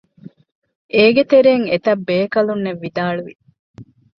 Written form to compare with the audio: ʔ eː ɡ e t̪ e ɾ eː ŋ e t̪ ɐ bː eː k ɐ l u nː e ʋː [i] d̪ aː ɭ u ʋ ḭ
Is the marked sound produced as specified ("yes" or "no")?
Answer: yes